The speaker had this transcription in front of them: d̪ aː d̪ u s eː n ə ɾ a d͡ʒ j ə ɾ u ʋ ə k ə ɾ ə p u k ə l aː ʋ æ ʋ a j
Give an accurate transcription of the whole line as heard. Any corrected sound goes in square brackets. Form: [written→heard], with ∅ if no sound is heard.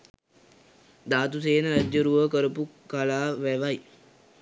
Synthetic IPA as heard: d̪ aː [d̪→t̪] u s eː n ə ɾ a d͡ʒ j ə ɾ u ʋ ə k ə ɾ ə p u k [ə→a] l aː ʋ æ ʋ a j